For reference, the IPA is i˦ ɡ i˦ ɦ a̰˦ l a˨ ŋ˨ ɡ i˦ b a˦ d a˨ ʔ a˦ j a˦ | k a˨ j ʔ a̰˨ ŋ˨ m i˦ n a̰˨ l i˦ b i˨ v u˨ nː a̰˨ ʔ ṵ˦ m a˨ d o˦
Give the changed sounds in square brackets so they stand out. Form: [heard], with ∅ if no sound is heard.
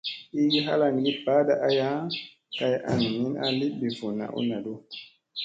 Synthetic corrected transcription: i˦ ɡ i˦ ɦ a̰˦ l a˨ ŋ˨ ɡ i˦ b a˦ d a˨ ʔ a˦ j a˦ | k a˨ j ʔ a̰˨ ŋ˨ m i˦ n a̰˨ l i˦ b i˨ v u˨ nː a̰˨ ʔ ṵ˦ [n] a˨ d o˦